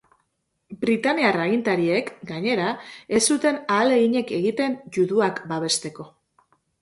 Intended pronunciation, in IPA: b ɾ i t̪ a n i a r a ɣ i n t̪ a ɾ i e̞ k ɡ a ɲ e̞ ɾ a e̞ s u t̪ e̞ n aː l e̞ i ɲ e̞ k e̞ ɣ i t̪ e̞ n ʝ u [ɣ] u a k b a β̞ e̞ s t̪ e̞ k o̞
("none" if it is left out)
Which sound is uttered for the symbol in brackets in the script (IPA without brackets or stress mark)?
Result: ð